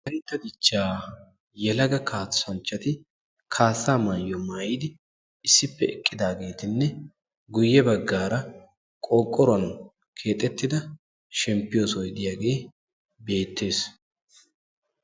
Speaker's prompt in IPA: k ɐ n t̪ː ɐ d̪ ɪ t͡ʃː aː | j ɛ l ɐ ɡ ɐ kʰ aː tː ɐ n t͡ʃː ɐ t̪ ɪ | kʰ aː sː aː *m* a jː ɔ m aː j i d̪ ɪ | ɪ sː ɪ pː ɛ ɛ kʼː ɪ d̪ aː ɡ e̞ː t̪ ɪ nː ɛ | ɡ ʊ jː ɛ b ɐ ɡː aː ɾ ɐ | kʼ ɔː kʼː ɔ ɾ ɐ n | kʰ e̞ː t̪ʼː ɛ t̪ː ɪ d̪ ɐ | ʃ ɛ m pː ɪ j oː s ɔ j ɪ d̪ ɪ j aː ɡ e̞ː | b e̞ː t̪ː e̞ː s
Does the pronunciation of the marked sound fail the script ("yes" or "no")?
no